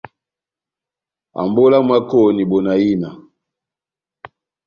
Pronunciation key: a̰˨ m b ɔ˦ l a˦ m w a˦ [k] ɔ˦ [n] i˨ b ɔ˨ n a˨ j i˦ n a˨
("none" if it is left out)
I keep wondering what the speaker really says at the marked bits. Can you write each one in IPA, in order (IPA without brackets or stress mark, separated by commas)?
k, n